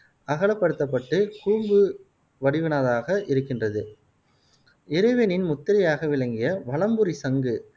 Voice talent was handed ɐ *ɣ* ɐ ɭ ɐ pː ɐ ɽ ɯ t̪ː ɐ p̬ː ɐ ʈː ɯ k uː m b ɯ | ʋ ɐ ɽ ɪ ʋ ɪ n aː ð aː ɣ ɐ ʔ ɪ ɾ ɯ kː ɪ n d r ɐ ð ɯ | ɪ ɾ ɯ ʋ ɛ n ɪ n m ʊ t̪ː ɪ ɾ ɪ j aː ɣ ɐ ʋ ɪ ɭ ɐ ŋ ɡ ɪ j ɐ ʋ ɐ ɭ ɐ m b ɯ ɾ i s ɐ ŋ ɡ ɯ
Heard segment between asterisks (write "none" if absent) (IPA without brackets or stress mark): ɣ